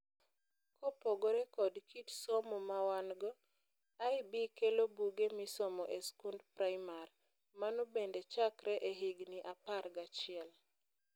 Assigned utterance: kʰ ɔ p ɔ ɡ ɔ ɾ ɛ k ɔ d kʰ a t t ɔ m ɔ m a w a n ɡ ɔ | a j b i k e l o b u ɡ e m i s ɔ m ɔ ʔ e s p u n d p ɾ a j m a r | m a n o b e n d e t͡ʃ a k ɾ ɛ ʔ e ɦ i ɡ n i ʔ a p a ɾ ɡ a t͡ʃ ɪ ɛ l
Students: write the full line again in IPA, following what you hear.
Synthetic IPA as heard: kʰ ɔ p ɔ ɡ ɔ ɾ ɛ k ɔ d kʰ i t s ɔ m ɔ m a w a n ɡ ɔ | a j b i k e l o b u ɡ e m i s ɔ m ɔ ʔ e s k u n d p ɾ a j m a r | m a n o b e n d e t͡ʃ a k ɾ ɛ ʔ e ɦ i ɡ n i ʔ a p a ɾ ɡ a t͡ʃ ɪ ɛ l